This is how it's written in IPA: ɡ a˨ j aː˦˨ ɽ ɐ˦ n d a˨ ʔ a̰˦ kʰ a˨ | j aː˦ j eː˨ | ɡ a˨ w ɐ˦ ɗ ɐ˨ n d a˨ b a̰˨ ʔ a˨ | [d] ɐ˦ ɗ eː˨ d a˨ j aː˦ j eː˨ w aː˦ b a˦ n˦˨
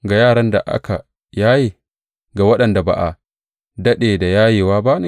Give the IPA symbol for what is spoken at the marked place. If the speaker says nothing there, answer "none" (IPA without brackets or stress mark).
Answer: d